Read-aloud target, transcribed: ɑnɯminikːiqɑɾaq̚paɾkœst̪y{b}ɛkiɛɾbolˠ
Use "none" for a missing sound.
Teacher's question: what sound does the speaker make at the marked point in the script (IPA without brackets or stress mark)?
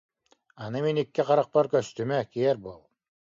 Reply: m